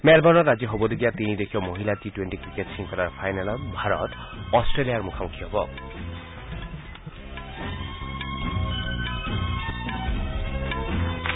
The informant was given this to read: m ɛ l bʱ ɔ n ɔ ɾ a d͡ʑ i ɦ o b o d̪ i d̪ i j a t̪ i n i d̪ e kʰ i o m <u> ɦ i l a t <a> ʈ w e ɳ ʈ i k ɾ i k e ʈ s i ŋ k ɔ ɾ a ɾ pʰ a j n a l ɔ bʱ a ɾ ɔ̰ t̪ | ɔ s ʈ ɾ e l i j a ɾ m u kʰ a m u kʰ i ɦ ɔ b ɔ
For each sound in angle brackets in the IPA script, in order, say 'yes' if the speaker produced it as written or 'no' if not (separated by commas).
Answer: no, no